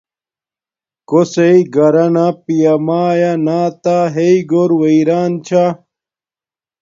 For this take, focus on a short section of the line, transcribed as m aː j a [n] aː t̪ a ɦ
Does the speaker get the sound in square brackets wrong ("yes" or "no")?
no